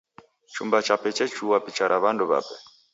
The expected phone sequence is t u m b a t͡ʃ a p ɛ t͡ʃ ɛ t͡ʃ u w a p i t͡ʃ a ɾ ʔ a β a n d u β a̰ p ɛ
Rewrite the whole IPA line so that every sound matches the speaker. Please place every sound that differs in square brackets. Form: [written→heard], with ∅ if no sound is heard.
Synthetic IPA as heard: [t→t͡ʃ] u m b a t͡ʃ a p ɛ t͡ʃ ɛ t͡ʃ u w a p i t͡ʃ a ɾ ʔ a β a n d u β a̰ p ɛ